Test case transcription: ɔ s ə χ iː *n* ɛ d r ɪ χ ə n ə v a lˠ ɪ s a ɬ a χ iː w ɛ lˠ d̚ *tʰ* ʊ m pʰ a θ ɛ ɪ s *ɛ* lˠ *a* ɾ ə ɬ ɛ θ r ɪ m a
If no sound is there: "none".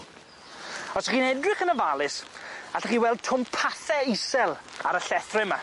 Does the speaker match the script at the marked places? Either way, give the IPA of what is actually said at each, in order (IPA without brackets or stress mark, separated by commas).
n, tʰ, ɛ, a